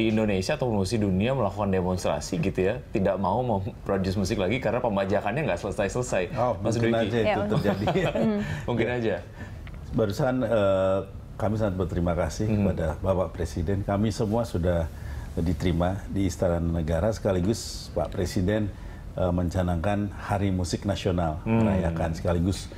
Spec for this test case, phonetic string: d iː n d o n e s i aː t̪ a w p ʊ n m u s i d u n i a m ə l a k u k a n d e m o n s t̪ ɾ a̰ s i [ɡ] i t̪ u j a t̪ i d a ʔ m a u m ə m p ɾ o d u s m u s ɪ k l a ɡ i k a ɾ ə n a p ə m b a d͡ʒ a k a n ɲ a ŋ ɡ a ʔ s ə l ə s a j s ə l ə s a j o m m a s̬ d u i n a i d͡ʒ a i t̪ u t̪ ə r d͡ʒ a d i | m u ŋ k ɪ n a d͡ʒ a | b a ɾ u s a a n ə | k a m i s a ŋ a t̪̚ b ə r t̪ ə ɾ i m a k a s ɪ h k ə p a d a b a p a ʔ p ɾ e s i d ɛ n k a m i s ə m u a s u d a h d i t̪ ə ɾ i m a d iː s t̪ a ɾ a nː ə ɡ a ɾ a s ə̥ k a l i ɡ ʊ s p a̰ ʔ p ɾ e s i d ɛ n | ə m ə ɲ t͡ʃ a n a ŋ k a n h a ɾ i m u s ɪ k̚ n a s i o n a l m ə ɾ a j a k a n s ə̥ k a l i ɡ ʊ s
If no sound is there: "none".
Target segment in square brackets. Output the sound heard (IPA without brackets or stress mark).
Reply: ɡ